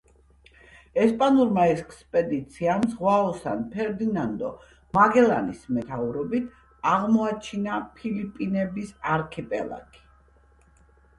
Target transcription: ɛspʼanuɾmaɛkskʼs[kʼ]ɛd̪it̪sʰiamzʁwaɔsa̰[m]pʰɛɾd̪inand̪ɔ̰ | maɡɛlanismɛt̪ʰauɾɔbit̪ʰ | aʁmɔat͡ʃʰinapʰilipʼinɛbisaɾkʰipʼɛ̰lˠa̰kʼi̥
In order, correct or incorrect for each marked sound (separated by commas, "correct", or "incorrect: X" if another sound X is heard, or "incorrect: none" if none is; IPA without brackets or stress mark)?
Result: incorrect: pʼ, incorrect: n